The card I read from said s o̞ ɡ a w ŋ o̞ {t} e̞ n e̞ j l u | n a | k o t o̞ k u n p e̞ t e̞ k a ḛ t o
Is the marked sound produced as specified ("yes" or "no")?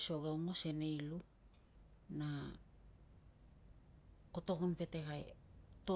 no